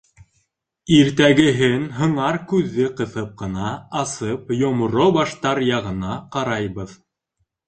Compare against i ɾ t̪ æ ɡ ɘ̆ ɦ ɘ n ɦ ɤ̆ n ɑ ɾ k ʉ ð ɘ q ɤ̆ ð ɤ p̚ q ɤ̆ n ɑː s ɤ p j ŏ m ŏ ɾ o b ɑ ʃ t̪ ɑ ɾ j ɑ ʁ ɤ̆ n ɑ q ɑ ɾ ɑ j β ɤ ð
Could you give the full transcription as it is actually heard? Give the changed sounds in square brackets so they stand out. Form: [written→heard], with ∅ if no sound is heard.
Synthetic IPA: i ɾ t̪ æ ɡ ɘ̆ ɦ ɘ n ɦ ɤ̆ [n→ɴ] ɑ ɾ k ʉ [ð→ðː] ɘ q ɤ̆ [ð→θ] ɤ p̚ q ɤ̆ n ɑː s ɤ p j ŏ m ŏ ɾ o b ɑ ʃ t̪ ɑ ɾ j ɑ ʁ ɤ̆ n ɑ q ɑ ɾ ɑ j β ɤ ð